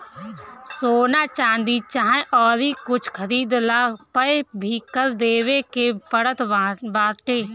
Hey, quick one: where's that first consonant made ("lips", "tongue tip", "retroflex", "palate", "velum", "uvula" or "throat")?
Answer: tongue tip